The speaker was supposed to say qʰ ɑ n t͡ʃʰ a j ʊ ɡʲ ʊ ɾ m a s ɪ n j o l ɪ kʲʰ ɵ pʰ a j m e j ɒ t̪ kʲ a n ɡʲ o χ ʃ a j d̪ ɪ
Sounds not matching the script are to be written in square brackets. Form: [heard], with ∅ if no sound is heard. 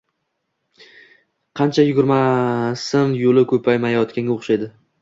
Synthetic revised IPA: qʰ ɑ n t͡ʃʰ a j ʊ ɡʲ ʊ ɾ m a s ɪ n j o l ɪ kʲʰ ɵ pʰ a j m [a] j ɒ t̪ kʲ a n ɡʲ o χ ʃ a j d̪ ɪ